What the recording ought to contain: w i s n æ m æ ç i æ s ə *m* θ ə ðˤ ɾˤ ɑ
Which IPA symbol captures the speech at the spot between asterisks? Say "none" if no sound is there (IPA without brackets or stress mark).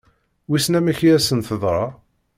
n